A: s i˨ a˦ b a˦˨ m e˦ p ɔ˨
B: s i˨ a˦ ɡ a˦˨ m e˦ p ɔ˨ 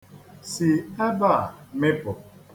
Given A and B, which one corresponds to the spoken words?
A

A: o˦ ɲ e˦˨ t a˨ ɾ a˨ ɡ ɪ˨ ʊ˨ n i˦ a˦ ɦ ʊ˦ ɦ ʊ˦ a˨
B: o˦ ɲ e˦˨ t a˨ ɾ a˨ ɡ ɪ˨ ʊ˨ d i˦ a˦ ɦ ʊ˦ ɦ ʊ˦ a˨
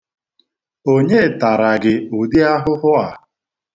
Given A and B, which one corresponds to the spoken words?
B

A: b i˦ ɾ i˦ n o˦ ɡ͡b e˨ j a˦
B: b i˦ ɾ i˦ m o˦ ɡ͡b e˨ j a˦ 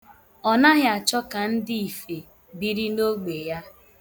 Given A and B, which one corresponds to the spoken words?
A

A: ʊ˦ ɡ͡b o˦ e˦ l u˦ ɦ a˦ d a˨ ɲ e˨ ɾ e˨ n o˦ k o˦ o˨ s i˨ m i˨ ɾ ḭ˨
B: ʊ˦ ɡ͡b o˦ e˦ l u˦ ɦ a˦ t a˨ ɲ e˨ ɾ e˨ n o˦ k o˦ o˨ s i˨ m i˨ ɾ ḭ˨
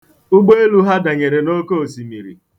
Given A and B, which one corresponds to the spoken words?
A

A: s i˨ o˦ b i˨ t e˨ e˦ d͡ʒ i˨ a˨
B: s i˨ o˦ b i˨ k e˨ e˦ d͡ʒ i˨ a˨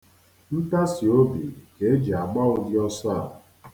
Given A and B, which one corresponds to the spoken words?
B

